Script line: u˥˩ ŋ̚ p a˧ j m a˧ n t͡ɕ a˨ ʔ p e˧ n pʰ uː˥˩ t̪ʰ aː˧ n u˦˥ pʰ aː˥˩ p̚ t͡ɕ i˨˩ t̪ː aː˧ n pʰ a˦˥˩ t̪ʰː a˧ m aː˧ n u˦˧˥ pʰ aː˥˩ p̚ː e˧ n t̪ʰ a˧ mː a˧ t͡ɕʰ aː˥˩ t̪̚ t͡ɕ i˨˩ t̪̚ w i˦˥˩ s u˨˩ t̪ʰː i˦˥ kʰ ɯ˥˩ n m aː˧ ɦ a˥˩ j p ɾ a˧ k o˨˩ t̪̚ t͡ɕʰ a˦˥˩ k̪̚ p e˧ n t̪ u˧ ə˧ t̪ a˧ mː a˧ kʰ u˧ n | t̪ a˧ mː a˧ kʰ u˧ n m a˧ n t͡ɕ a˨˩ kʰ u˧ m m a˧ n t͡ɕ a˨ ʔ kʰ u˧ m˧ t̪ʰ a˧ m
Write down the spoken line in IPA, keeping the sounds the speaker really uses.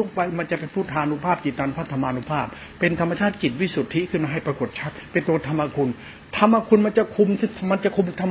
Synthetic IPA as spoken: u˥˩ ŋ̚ p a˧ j m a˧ n t͡ɕ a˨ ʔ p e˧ n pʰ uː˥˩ t̪ʰ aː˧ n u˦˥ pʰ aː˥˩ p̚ t͡ɕ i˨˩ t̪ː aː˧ n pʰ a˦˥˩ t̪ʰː a˧ m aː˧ n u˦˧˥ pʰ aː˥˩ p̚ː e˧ n t̪ʰ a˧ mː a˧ t͡ɕʰ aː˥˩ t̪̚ t͡ɕ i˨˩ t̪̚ w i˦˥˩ s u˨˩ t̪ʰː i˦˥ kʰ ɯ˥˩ n m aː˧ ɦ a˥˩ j p ɾ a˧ k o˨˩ t̪̚ t͡ɕʰ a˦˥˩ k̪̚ p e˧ n t̪ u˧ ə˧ t̪ʰ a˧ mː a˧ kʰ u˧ n | t̪ʰ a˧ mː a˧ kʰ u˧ n m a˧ n t͡ɕ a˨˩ kʰ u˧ m m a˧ n t͡ɕ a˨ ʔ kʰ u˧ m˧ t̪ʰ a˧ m